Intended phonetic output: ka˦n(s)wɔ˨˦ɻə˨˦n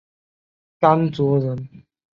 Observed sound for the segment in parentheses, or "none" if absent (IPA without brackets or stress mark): t͡s